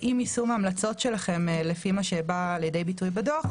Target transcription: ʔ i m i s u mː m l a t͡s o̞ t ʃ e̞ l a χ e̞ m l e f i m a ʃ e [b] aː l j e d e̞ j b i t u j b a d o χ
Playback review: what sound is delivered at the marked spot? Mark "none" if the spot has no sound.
b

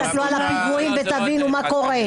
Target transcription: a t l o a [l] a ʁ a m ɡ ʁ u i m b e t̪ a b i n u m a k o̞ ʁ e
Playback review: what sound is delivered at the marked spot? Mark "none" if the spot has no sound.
l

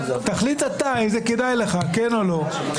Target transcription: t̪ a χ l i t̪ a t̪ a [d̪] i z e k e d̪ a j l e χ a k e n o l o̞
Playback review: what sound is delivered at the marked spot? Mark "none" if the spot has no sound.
none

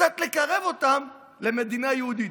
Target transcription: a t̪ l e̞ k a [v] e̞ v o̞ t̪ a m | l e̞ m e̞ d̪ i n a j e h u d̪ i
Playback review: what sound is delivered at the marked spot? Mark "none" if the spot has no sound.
ʁ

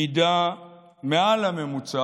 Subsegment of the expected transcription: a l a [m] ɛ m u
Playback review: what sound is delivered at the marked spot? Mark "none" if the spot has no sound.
m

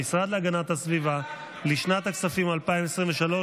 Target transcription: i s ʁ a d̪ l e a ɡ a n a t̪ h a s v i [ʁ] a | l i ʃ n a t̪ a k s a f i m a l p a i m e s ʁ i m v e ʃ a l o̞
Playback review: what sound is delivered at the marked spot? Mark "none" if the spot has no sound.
v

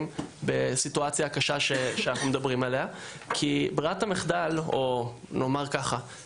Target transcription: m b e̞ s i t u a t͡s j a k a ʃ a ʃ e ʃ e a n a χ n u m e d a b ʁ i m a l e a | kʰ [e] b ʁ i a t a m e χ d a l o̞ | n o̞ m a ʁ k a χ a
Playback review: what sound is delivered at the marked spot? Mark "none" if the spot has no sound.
i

